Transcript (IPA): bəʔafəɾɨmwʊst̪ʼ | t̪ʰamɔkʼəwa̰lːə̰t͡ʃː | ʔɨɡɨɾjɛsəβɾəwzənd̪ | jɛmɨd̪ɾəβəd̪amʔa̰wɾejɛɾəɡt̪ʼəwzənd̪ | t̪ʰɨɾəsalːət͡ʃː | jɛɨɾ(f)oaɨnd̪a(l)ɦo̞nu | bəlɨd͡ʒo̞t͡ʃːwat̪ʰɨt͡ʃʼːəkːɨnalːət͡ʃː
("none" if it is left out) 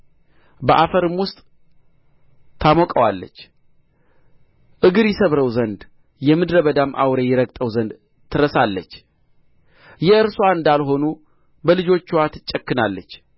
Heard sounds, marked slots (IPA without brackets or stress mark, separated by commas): s, l